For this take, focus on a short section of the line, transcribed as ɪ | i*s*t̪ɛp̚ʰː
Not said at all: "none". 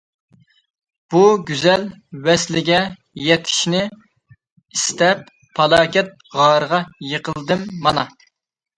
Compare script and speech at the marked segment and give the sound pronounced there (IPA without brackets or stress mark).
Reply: s